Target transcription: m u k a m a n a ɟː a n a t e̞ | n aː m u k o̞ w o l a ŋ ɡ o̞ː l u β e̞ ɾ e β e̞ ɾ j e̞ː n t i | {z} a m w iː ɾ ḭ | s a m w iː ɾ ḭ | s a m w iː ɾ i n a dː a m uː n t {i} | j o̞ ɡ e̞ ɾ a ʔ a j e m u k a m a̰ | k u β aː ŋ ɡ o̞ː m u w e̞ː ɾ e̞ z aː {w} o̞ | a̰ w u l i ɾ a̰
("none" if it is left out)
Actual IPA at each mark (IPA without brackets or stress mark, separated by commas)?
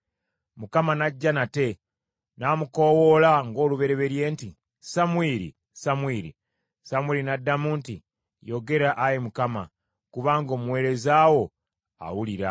s, i, w